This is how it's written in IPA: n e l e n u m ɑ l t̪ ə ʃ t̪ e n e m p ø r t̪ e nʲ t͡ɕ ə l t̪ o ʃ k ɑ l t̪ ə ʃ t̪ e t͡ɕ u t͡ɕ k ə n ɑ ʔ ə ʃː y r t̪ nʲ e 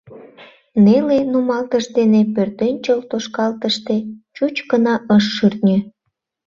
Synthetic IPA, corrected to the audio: n e l e n u m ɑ l t̪ ə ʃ d̪ e n e p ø r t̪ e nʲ t͡ɕ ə l t̪ o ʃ k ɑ l t̪ ə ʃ t̪ e t͡ɕ u t͡ɕ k ə n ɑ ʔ ə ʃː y r t̪ nʲ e